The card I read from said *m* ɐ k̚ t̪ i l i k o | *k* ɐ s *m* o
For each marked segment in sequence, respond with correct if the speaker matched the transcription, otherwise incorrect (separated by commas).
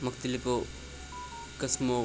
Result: correct, correct, correct